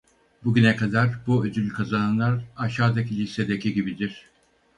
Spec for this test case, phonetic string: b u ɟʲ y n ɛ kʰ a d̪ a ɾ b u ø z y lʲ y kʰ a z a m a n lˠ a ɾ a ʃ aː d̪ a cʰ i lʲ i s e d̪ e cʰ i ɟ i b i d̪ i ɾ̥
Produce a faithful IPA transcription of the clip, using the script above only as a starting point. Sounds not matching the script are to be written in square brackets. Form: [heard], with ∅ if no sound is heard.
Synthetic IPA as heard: b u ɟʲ y n ɛ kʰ a d̪ a ɾ b u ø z y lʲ y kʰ a z a [n] a n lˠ a ɾ a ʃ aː d̪ a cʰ i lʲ i s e d̪ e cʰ i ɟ i b i d̪ i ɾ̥